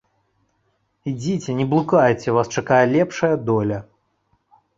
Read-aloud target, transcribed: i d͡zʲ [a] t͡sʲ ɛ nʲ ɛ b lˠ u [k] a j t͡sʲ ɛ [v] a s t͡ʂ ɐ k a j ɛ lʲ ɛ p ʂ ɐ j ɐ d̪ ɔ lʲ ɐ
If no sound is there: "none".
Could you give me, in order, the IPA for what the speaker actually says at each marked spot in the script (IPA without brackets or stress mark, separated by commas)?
i, k, v